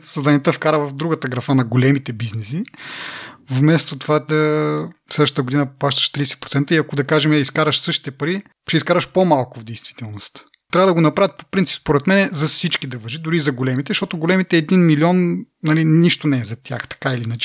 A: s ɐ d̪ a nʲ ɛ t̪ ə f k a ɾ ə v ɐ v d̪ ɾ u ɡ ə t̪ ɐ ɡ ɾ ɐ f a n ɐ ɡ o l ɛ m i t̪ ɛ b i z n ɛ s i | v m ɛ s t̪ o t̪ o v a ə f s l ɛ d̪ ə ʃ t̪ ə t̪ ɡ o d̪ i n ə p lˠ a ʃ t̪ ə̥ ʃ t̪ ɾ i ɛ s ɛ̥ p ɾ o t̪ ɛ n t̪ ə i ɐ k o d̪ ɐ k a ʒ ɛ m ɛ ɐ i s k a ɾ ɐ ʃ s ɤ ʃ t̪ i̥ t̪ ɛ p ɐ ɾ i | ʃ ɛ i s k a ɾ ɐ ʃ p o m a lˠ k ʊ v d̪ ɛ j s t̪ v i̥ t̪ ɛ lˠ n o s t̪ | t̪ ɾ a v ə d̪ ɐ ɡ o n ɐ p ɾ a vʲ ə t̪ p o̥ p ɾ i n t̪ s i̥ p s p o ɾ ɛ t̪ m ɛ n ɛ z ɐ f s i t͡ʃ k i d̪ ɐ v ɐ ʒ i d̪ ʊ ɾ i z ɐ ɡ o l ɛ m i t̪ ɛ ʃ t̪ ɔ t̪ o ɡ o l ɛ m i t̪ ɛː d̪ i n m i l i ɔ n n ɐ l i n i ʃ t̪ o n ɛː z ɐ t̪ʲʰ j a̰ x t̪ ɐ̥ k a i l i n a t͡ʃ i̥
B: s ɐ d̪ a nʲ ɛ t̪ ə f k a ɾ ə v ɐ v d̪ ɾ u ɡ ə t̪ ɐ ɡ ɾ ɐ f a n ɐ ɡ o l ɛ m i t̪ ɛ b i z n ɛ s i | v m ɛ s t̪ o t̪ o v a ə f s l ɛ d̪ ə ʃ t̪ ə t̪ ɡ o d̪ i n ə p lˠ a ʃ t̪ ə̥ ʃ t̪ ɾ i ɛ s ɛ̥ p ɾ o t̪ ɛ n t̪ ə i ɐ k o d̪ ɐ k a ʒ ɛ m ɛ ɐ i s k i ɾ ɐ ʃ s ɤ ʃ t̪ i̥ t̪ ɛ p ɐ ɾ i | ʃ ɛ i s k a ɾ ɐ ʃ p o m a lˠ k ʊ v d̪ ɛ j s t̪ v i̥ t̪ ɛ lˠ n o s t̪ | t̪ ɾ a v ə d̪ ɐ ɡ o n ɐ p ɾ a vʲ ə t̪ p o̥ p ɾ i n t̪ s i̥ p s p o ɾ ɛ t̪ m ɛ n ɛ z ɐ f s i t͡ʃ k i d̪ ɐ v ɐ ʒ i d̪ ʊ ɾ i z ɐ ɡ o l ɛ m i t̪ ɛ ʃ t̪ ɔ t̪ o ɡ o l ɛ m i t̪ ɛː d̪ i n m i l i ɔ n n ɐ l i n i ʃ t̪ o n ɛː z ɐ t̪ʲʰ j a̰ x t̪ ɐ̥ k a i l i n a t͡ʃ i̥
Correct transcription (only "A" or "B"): A